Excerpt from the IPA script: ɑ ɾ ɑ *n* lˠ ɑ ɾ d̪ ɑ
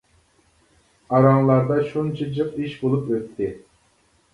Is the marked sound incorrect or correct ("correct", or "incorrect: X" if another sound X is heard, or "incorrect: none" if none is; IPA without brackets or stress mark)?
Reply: incorrect: ŋ